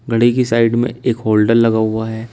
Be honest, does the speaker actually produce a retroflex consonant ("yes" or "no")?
yes